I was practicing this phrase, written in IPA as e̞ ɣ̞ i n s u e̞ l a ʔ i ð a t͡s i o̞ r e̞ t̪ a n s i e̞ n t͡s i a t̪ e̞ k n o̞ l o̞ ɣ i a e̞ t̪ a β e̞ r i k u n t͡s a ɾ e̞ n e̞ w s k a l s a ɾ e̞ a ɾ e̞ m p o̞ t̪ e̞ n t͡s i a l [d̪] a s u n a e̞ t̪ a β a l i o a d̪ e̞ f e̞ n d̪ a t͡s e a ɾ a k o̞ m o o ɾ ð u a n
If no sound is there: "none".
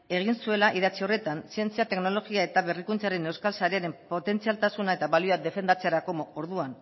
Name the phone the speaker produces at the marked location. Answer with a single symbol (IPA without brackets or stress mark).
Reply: t̪